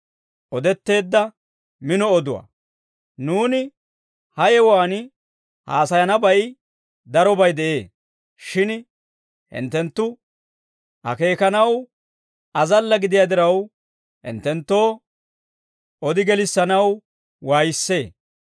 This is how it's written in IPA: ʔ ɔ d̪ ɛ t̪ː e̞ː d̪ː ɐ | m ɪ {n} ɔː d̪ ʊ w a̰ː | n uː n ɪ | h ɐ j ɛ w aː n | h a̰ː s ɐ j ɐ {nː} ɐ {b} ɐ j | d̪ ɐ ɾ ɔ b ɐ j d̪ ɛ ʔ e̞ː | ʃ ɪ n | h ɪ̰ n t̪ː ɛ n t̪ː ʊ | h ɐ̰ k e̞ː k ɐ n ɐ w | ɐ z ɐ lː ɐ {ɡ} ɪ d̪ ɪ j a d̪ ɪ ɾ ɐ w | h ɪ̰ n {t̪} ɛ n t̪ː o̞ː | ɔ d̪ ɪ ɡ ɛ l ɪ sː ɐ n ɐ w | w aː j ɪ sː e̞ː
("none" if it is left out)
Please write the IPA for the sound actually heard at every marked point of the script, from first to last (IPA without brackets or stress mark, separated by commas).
n, n, b, ɡ, t̪